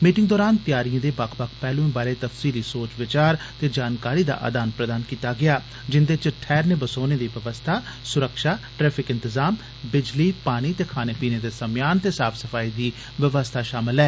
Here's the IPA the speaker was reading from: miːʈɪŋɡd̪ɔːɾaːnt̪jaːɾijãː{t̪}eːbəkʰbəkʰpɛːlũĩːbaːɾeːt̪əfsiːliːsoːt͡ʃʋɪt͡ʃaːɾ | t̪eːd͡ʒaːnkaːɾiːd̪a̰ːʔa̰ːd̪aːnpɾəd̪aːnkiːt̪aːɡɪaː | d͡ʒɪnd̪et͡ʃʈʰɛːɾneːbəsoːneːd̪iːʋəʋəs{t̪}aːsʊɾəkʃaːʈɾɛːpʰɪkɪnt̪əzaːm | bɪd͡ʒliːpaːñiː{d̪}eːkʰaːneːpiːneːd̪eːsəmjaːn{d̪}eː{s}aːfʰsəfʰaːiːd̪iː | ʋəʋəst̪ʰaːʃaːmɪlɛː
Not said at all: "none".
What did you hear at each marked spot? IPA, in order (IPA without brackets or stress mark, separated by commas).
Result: d̪, t̪ʰ, t̪, t̪, s